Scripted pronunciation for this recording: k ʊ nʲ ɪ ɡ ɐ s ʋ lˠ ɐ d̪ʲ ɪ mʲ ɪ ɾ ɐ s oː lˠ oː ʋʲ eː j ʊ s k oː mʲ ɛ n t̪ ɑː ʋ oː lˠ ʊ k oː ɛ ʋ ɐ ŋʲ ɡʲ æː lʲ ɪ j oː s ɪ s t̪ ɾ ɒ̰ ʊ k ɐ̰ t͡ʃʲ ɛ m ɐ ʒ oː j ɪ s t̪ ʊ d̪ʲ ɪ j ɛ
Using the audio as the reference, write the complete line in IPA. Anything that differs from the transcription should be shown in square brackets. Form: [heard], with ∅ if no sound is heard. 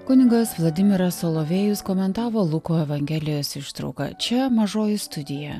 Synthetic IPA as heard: k ʊ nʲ ɪ ɡ ɐ s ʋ lˠ ɐ d̪ʲ ɪ mʲ ɪ ɾ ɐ s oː lˠ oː ʋʲ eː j ʊ s k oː mʲ ɛ n t̪ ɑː ʋ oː lˠ ʊ k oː ɛ ʋ ɐ ŋʲ ɡʲ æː lʲ ɪ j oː s ɪ [ʃ] t̪ ɾ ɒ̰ ʊ k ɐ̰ t͡ʃʲ ɛ m ɐ ʒ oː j ɪ s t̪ ʊ d̪ʲ ɪ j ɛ